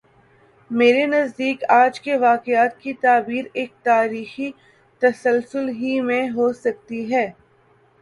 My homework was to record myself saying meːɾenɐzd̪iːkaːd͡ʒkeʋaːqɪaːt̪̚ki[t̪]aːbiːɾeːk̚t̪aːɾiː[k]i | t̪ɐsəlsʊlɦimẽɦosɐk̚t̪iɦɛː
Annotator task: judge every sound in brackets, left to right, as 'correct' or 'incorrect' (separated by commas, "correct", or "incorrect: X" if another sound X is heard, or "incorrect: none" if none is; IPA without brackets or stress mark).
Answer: correct, incorrect: x